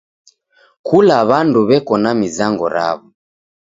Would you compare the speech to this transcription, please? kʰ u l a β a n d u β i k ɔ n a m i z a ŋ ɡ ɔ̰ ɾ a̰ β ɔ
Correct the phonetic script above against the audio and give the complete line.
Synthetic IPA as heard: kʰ u l a β a n d u β ɛ k ɔ n a m i z a ŋ ɡ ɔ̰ ɾ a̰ β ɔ